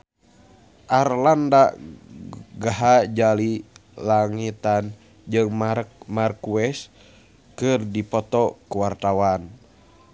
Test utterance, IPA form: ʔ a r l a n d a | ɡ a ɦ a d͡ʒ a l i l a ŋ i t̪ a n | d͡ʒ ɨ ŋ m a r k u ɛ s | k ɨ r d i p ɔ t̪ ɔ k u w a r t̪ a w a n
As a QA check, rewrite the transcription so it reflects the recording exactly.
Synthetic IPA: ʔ a r l a n d a | ɡ a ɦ a d͡ʒ a l i l a ŋ i t̪ a n | d͡ʒ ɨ ŋ m a r k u ɛ s | k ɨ r d i p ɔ t̪ ɔ k u w a r t̪ a w a n